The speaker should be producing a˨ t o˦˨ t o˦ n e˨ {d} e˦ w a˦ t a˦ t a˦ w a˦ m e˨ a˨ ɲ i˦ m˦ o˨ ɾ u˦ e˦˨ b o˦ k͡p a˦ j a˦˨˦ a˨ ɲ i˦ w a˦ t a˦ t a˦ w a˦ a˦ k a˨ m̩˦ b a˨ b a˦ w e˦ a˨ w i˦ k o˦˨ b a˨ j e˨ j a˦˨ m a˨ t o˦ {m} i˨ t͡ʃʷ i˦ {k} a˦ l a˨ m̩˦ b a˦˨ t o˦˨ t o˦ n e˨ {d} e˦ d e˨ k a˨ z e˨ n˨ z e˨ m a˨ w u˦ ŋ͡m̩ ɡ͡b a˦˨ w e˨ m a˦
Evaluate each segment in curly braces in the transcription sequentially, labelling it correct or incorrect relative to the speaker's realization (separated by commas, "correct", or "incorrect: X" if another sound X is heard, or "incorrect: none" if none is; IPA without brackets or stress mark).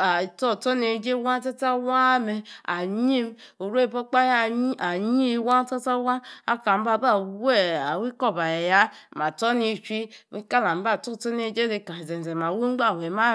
incorrect: d͡ʒ, incorrect: n, correct, incorrect: d͡ʒ